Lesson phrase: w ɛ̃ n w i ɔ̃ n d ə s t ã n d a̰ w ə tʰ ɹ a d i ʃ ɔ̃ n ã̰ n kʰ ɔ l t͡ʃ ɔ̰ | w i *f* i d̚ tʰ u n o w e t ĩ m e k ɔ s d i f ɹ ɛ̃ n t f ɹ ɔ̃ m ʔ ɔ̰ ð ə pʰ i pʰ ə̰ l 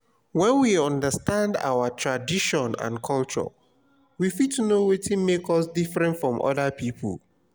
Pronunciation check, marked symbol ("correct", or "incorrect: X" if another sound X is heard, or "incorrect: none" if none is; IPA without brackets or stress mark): correct